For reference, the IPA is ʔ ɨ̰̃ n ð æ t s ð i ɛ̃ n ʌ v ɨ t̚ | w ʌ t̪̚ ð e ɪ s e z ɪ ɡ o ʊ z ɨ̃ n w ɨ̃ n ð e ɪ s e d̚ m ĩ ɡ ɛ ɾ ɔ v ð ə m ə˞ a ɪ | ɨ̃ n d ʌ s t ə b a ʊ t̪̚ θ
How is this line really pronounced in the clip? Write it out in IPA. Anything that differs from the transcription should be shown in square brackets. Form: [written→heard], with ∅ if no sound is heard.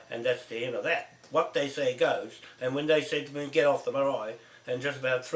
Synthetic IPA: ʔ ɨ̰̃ n ð æ t s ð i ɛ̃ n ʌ [v→ð] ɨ t̚ | w ʌ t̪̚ ð e ɪ s e [z→∅] ɪ ɡ o ʊ z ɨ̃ n w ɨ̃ n ð e ɪ s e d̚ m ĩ ɡ ɛ ɾ ɔ [v→f] ð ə m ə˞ a ɪ | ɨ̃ n [d→d͡ʒ] ʌ s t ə b a ʊ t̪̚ θ